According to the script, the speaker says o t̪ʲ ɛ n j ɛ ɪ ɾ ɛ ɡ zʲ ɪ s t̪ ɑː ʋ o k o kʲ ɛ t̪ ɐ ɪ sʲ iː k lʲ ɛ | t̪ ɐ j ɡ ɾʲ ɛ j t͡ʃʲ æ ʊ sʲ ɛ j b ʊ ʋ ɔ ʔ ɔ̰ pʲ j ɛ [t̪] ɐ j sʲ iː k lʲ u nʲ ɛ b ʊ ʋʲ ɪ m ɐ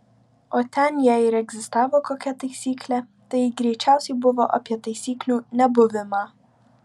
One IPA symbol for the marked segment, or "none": t̪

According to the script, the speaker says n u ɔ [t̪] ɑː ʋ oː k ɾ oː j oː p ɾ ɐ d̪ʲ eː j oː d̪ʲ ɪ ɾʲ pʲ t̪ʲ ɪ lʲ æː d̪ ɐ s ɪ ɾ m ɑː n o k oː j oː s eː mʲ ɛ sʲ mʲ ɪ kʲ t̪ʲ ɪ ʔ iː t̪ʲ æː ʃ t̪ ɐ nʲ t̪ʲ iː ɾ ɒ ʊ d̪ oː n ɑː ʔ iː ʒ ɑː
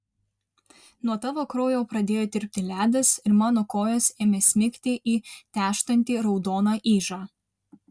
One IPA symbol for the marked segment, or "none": t̪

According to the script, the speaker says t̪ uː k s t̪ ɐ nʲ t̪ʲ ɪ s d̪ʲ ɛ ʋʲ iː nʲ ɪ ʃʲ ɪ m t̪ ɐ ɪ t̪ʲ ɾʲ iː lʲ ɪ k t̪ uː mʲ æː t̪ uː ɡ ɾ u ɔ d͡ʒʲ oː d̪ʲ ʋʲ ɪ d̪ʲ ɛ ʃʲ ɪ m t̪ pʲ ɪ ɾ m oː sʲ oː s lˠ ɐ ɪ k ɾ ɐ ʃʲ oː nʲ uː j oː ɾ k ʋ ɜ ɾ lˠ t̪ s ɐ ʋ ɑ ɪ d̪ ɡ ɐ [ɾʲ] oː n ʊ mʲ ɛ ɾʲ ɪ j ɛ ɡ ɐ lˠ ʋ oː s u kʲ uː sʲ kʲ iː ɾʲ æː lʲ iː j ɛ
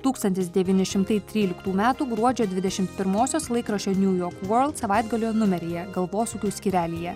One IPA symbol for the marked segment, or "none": lʲ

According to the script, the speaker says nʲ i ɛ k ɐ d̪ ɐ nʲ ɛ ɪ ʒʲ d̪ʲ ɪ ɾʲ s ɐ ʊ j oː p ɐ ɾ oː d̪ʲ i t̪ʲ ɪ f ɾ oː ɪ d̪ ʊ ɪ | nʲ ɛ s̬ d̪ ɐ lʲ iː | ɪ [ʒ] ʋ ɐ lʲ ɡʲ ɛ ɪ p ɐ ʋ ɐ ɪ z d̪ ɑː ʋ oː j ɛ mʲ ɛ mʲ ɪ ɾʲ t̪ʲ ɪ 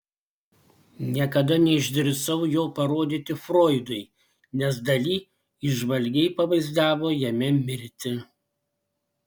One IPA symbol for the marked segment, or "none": ʒ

